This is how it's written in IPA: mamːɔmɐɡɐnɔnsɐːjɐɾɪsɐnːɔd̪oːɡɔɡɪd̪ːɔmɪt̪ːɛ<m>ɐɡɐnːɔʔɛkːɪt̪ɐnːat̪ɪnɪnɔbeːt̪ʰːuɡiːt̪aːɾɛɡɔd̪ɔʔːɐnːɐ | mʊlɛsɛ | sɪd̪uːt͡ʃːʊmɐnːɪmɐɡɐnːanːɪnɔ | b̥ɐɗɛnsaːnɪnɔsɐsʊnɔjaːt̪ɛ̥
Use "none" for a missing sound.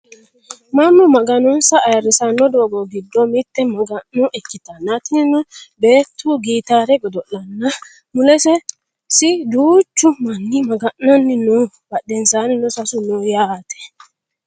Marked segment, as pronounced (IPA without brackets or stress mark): m